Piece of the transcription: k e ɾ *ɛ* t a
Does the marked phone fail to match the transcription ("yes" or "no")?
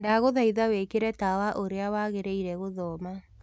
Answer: no